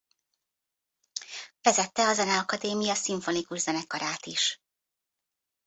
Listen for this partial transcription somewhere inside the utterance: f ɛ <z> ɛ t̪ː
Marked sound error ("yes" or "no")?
no